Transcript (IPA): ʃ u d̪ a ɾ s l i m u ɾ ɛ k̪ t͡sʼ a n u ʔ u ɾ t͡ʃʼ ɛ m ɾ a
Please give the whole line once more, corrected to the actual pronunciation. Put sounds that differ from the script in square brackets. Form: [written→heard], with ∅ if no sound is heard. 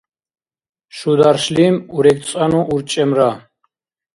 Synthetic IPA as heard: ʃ u d̪ a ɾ [s→ʃ] l i m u ɾ ɛ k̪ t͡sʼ a n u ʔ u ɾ t͡ʃʼ ɛ m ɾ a